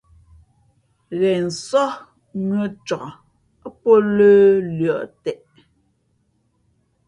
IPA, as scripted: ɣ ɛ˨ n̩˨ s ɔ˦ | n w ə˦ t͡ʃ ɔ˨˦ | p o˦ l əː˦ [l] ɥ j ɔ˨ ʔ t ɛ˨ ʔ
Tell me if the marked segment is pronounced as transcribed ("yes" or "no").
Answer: yes